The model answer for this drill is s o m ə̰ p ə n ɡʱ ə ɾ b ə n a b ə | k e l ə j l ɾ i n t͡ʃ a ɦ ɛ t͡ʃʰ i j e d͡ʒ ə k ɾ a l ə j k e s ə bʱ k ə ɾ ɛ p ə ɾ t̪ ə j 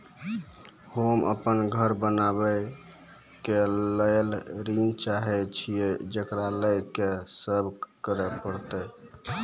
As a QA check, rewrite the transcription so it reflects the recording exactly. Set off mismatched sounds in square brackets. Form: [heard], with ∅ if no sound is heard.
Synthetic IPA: [h] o m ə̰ p ə n ɡʱ ə ɾ b ə n a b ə | k e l ə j l ɾ i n t͡ʃ a ɦ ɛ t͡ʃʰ i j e d͡ʒ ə k ɾ a l ə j k e s ə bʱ k ə ɾ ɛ p ə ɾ t̪ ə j